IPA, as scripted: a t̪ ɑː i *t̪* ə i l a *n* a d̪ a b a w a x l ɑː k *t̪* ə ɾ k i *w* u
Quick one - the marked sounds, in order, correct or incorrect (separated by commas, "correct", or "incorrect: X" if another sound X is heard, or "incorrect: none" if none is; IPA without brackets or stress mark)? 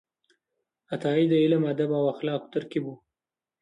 incorrect: d̪, incorrect: m, correct, incorrect: b